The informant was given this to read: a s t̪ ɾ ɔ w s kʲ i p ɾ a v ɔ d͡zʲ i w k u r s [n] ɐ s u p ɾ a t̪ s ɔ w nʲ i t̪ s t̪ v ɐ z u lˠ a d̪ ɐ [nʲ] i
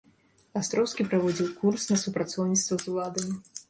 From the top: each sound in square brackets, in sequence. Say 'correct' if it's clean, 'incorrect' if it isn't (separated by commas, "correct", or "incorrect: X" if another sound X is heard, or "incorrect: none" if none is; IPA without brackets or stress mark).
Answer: correct, incorrect: mʲ